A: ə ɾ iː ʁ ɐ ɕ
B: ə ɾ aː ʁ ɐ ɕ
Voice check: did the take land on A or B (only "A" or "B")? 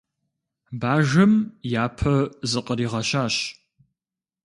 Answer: A